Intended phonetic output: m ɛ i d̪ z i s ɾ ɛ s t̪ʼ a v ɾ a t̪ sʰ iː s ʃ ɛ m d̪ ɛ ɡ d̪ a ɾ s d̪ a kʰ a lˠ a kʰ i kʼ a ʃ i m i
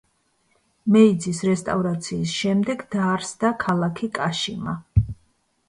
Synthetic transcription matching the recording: m ɛ i d̪ z i s ɾ ɛ s t̪ʼ a v ɾ a t̪ sʰ iː s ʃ ɛ m d̪ ɛ ɡ d̪ a ɾ s d̪ a kʰ a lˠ a kʰ i kʼ a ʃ i m a